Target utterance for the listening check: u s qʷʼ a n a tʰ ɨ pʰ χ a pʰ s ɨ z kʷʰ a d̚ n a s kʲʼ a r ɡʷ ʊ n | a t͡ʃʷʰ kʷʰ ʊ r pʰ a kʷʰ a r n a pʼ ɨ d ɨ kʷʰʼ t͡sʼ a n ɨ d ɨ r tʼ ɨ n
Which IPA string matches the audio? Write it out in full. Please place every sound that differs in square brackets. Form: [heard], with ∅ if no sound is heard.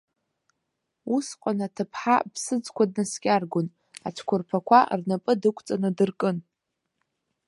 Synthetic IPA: u s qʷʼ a n a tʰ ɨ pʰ [ħ] a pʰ s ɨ [d͡z] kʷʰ a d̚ n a s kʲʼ a r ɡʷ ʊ n | a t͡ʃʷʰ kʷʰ ʊ r pʰ a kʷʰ a r n a pʼ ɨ d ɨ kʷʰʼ t͡sʼ a n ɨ d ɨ r [kʼ] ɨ n